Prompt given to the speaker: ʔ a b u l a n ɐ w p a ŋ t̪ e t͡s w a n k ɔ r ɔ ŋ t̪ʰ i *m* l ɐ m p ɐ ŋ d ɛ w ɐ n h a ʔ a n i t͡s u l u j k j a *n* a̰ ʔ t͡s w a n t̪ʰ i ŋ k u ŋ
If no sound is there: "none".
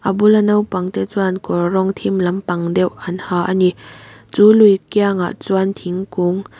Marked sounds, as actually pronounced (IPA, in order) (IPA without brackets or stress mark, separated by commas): m, ŋ